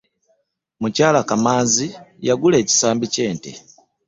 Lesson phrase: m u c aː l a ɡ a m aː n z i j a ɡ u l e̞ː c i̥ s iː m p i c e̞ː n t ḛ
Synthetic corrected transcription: m u c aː l a k a m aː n z i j a ɡ u l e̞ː c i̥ s aː m b i c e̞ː n t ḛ

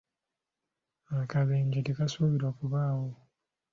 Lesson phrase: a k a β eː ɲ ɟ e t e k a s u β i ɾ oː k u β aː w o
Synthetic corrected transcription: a k a β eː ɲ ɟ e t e k a s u β i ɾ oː k u β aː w o

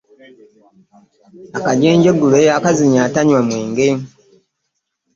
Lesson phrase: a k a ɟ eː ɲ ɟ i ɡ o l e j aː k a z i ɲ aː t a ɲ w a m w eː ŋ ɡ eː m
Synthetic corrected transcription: a k a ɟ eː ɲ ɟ e ɡ u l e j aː k a z i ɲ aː t a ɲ w a m w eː ŋ ɡ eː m

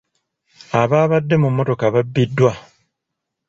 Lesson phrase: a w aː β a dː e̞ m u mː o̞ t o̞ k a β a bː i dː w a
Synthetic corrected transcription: a β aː β a dː e̞ m u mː o̞ t o̞ k a β a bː i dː w a

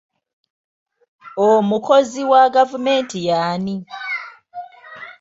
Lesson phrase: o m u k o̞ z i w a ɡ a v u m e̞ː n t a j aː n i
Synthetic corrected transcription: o m u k o̞ z i w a ɡ a v u m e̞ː n t i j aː n i

